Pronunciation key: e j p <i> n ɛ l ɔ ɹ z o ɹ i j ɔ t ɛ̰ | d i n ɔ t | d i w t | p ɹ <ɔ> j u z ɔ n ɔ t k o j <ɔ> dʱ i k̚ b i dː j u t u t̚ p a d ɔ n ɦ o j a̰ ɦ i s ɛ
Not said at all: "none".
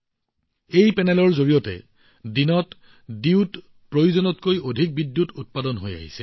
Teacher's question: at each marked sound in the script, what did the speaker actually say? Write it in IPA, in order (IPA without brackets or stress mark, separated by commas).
ɛ, o, o